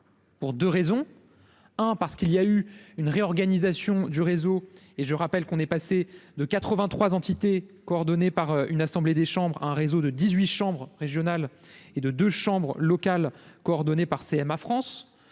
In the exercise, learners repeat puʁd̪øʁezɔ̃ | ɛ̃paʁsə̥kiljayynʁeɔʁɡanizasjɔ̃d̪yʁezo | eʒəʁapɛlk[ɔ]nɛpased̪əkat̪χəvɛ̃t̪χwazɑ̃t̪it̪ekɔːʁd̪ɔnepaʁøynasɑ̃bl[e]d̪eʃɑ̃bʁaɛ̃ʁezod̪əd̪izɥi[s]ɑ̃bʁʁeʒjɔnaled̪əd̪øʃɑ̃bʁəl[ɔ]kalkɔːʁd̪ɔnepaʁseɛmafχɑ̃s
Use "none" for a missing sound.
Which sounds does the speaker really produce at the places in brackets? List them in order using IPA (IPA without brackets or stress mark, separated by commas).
ɔ̃, e, ʃ, ɔ